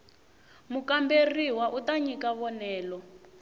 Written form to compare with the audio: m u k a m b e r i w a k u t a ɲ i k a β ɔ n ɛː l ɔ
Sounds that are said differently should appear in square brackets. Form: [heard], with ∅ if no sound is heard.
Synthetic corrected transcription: m u k a m b e r i w a [ʔ] u t a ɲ i k a β ɔ n ɛː l ɔ